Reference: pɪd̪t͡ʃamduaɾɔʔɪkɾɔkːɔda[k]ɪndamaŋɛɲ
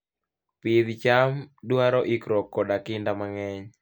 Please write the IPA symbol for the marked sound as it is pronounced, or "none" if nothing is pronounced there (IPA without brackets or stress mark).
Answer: k